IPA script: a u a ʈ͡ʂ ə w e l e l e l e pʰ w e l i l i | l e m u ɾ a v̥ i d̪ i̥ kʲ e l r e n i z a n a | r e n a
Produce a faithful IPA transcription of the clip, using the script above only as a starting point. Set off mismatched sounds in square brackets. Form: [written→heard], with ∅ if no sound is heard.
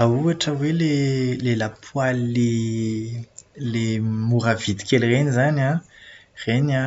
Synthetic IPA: a u a ʈ͡ʂ ə w e l e l e l [e→a] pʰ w [e→a] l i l [i→e] | l e m u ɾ a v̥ i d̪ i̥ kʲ e l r e n i z a n a | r e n a